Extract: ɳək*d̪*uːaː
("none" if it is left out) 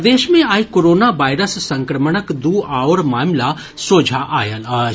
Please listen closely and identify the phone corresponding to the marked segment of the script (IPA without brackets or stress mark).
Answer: d̪